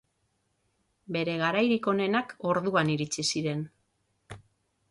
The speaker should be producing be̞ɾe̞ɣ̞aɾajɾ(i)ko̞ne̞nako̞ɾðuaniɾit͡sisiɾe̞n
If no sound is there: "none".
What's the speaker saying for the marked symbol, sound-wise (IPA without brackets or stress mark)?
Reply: i